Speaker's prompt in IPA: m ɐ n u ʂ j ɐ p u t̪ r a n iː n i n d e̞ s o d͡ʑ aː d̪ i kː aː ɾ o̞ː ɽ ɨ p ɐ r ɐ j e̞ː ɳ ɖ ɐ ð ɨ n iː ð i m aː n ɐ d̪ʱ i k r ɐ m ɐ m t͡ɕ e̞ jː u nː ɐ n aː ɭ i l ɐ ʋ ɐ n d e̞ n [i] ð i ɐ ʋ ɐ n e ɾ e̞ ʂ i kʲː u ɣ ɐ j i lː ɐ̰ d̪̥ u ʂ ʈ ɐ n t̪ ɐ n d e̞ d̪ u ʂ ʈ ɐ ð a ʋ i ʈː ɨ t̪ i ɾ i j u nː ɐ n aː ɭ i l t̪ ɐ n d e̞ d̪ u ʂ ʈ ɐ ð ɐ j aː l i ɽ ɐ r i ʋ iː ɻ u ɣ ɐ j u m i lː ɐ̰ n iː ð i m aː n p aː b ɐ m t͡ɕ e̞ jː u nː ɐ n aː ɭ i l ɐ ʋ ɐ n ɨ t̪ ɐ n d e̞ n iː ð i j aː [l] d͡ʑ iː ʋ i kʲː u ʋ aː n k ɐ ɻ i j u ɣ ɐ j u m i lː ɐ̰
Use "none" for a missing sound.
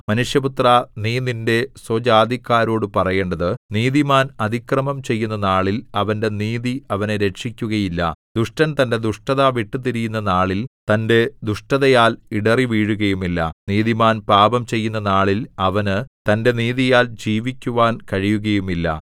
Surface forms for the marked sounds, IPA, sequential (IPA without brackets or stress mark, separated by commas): iː, l